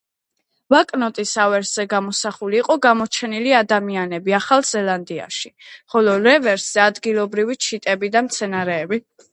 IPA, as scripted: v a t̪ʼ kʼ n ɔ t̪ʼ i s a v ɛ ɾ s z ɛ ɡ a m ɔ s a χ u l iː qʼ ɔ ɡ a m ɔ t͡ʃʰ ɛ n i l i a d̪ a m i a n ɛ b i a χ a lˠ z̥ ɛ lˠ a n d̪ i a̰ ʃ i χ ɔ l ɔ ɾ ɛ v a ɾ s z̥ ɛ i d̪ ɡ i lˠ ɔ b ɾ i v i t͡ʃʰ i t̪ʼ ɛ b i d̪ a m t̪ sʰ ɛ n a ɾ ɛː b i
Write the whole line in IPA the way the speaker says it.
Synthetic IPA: v a kʼ n ɔ t̪ʼ i s a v ɛ ɾ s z ɛ ɡ a m ɔ s a χ u l iː qʼ ɔ ɡ a m ɔ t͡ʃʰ ɛ n i l i a d̪ a m i a n ɛ b i a χ a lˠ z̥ ɛ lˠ a n d̪ i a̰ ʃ i χ ɔ l ɔ ɾ ɛ v ɛ ɾ s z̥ ɛ a d̪ ɡ i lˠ ɔ b ɾ i v i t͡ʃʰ i t̪ʼ ɛ b i d̪ a m t̪ sʰ ɛ n a ɾ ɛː b i